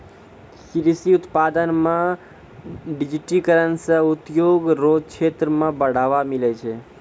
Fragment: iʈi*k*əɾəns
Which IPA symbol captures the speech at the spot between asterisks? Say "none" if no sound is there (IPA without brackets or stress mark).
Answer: k